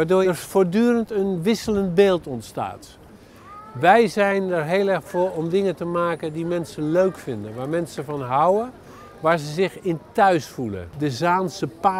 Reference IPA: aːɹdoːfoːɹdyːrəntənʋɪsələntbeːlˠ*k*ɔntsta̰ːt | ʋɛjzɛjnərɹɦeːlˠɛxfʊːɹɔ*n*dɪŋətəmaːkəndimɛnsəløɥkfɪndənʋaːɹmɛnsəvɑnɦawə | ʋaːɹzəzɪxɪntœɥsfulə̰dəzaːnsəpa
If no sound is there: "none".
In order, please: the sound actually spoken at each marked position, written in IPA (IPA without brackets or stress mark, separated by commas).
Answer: t, m